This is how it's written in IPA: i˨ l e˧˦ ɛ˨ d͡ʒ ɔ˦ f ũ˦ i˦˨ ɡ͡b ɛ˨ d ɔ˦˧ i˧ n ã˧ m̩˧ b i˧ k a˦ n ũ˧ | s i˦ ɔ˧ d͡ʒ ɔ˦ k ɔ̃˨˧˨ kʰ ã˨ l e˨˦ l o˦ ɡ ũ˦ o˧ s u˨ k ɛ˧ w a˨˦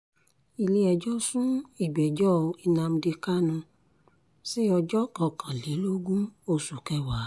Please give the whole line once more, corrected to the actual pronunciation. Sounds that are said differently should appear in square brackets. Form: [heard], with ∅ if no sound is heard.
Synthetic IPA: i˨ l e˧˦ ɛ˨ d͡ʒ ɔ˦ [s] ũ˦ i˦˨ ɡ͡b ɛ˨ [d͡ʒ] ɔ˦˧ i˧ n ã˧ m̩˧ [d] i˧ k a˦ n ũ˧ | s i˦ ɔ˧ d͡ʒ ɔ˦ k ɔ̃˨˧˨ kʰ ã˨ l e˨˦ l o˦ ɡ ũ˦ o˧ s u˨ k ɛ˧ w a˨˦